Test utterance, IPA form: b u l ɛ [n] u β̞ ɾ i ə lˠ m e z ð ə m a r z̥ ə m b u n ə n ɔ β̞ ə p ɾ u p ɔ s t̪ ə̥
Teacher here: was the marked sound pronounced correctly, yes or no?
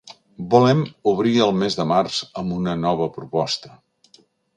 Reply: no